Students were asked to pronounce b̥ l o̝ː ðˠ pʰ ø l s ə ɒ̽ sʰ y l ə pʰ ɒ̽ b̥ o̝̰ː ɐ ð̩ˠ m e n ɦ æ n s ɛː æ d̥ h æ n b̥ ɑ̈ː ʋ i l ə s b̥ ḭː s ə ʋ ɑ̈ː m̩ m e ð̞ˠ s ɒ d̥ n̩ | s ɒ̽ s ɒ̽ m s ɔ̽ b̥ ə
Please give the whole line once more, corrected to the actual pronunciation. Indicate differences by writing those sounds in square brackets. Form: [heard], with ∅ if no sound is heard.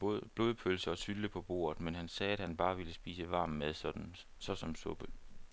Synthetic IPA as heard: b̥ l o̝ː ðˠ pʰ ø l s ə ɒ̽ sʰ y l ə pʰ ɒ̽ b̥ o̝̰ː ɐ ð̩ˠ m e n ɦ æ n s ɛː æ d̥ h æ n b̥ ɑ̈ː ʋ i l ə s b̥ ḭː s ə ʋ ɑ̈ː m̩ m e ð̞ˠ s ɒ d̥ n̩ | s ɒ̽ s ɒ̽ m s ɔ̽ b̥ ə